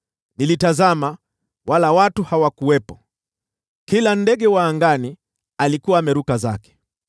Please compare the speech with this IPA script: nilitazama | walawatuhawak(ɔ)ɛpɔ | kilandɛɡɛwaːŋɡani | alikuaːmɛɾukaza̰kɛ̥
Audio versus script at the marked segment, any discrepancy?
yes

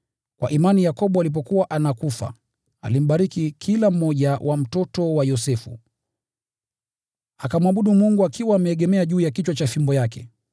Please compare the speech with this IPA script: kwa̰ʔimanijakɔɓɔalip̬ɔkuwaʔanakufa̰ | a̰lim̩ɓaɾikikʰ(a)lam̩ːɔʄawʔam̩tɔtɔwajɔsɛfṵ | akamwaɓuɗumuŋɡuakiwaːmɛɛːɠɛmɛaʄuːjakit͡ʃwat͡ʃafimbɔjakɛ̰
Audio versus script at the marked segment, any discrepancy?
yes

